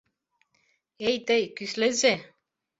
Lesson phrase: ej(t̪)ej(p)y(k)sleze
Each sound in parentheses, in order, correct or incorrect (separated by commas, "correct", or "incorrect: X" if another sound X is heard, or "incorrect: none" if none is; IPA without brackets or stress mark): correct, incorrect: k, incorrect: none